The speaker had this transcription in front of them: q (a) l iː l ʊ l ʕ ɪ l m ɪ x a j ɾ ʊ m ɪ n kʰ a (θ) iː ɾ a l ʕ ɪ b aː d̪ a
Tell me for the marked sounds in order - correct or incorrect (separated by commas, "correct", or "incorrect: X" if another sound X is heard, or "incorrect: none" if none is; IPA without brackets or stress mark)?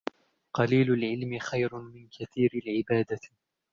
incorrect: ɑ, correct